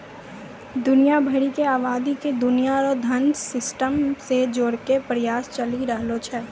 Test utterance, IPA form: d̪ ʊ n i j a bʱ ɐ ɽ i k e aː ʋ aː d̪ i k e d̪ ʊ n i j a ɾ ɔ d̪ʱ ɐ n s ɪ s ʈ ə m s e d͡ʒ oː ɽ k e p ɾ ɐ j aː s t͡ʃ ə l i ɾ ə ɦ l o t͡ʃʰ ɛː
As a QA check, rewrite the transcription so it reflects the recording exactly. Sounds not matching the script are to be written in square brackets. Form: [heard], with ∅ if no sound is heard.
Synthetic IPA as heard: d̪ ʊ n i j a bʱ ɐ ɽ i k e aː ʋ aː d̪ i k e d̪ ʊ n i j a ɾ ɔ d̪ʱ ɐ n s ɪ s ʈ ə m s e d͡ʒ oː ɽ k e p ɾ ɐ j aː s t͡ʃ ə l i ɾ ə ɦ l o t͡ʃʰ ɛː